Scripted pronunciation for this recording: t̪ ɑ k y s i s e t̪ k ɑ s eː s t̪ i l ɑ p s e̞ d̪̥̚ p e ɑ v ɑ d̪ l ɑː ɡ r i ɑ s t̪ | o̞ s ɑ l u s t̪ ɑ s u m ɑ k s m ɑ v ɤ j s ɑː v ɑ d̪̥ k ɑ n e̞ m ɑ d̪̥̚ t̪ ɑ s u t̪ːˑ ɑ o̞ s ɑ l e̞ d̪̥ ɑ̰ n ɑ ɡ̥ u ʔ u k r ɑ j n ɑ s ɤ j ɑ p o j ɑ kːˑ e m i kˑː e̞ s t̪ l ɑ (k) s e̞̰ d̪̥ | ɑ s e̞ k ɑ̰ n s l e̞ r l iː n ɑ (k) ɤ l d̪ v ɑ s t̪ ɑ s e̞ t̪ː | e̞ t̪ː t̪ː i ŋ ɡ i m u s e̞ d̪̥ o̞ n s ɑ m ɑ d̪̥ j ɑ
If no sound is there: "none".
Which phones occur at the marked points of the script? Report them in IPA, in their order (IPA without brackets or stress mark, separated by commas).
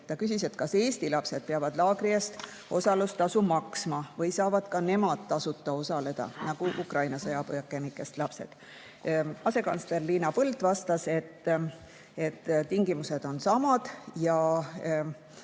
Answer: p, p